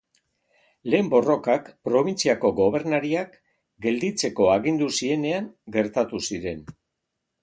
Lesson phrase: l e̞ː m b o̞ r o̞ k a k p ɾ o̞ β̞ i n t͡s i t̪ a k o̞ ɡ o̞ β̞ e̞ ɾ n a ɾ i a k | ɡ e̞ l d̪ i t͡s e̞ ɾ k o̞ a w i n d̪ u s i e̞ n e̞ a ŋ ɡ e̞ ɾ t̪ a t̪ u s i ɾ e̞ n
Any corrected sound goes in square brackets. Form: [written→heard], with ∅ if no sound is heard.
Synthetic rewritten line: l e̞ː m b o̞ r o̞ k a k p ɾ o̞ β̞ i n t͡s i [t̪→∅] a k o̞ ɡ o̞ β̞ e̞ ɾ n a ɾ i a k | ɡ e̞ l d̪ i t͡s e̞ [ɾ→∅] k o̞ a [w→ɣ] i n d̪ u s i e̞ n e̞ a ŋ ɡ e̞ ɾ t̪ a t̪ u s i ɾ e̞ n